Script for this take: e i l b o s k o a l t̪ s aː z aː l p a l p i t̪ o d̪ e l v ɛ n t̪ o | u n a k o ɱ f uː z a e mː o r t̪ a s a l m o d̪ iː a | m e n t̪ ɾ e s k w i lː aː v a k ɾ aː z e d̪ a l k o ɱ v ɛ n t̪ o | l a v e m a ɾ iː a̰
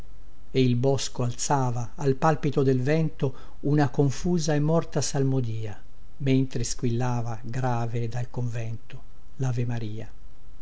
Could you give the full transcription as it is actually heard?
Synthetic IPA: e i l b ɔ s k o a l t̪ s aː v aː l p a l p i t̪ o d̪ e l v ɛ n t̪ o | u n a k o ɱ f uː z a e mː ɔ r t̪ a s a l m o d̪ iː a | m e n t̪ ɾ e s k w i lː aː v a ɡ ɾ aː v e d̪ a l k o ɱ v ɛ n t̪ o | l a v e m a ɾ iː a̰